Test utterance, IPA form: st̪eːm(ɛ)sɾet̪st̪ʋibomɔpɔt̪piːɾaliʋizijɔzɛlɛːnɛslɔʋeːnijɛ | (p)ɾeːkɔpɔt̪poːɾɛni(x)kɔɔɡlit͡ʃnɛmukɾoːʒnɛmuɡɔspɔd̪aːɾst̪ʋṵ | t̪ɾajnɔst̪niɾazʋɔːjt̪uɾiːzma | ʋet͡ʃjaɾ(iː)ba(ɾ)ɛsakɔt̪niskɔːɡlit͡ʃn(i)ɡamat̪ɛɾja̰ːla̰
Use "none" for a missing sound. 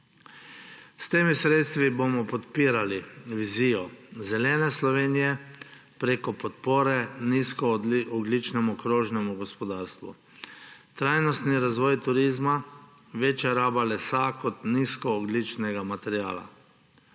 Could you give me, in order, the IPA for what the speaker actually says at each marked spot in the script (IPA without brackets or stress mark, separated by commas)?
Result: i, p, s, aː, l, ɛ